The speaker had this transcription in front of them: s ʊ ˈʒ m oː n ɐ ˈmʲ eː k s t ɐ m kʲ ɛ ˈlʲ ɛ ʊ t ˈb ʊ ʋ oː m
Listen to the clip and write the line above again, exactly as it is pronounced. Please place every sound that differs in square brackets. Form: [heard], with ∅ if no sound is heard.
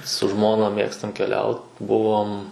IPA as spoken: s ʊ ˈʒ m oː n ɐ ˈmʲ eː k s t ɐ m kʲ ɛ ˈlʲ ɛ ʊ t ˈb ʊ ʋ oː m